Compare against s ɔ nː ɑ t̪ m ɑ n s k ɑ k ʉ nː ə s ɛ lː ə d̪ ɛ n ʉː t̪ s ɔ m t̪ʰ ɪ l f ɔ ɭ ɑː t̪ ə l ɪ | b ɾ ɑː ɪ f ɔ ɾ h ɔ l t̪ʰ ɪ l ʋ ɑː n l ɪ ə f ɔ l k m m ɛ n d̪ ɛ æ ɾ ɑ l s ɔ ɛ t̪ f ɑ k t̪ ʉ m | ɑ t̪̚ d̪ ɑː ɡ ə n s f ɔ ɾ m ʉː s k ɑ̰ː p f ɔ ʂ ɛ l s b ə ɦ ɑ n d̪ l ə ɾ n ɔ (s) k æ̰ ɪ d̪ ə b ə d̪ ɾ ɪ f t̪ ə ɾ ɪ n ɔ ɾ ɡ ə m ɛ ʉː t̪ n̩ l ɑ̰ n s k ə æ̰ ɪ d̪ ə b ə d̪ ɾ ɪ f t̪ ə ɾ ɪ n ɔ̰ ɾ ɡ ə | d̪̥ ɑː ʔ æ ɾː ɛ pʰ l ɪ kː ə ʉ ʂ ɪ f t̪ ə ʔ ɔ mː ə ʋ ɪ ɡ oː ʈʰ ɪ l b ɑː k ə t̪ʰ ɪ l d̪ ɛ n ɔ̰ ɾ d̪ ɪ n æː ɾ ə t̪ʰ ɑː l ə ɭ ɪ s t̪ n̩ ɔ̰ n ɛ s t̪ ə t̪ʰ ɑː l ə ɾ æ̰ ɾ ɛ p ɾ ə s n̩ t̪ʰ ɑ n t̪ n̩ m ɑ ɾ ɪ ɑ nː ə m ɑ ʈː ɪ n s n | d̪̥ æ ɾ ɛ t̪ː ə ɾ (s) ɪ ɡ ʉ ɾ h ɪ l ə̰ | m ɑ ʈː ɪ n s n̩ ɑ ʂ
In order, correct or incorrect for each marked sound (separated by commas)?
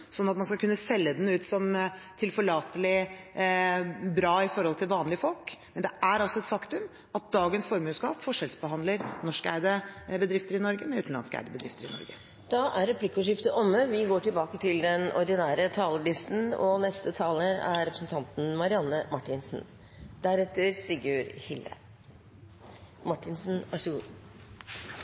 incorrect, correct